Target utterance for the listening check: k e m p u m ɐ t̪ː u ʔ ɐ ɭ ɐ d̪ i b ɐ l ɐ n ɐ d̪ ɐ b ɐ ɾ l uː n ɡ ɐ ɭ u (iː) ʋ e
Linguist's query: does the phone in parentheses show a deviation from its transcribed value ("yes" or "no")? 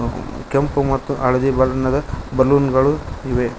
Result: yes